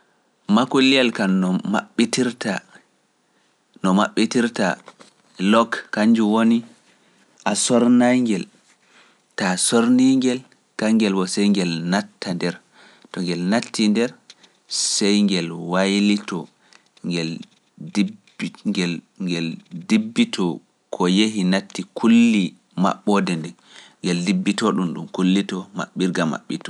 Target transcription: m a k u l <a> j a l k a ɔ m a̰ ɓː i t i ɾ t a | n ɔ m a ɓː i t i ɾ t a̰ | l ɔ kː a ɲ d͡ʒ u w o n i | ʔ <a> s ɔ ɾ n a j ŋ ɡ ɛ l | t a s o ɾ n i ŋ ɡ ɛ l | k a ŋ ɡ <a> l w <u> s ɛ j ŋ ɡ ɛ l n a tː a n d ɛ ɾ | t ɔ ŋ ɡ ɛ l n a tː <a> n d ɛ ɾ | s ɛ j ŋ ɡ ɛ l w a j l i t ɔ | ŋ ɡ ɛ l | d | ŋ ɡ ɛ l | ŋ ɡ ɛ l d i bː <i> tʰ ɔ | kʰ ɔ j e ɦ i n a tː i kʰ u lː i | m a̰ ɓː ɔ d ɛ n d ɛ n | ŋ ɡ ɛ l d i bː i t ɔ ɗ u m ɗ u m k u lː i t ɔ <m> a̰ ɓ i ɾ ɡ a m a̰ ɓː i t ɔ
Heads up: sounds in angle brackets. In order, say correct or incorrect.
incorrect, correct, incorrect, incorrect, incorrect, correct, correct

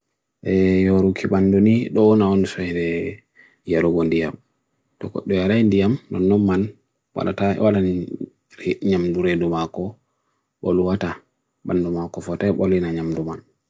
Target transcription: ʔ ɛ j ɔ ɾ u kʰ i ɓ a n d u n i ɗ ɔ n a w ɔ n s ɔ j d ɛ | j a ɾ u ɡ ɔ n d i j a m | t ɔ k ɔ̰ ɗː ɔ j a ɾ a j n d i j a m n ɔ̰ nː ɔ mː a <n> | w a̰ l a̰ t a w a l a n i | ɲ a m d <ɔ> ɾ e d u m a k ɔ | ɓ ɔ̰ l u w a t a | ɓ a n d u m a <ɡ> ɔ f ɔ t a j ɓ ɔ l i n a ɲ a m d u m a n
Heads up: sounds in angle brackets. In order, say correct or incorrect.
correct, incorrect, incorrect

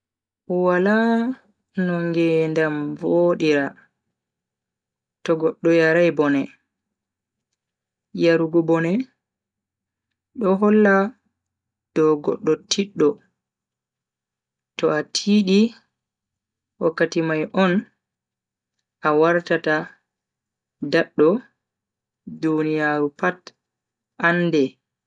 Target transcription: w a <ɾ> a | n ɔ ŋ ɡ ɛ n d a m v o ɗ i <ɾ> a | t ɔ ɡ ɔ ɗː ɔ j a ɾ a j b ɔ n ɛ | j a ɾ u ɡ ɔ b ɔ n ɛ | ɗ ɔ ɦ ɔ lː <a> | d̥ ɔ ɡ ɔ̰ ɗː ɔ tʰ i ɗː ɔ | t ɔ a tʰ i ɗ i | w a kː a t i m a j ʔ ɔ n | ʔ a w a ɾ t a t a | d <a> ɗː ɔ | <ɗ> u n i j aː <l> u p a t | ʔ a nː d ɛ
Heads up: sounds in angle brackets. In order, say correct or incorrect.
incorrect, correct, correct, correct, incorrect, incorrect

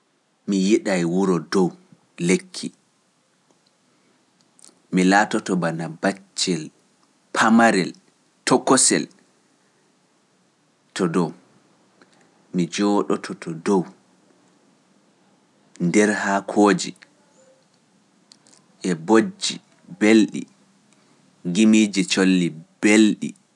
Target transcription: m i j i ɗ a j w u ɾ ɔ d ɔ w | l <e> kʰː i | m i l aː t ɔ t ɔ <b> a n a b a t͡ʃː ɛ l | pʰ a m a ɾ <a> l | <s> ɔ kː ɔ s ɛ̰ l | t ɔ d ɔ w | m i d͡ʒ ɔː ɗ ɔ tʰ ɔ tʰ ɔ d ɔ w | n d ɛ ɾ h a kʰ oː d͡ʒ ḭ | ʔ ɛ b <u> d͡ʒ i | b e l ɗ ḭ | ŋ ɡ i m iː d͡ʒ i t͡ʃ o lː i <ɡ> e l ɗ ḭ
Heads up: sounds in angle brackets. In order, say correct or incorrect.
correct, correct, incorrect, incorrect, incorrect, incorrect

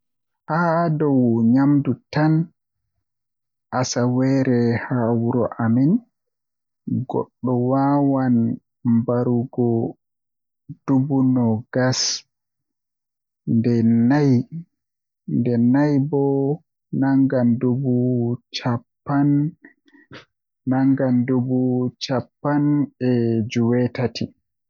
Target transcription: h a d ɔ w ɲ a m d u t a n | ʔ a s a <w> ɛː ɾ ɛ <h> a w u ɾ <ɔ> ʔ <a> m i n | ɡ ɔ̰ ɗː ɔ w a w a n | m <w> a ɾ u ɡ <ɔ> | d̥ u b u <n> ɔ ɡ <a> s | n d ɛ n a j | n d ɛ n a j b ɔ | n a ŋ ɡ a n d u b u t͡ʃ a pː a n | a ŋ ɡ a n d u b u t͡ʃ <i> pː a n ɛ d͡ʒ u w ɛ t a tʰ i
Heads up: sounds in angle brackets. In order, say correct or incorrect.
correct, correct, correct, correct, incorrect, correct, correct, correct, incorrect

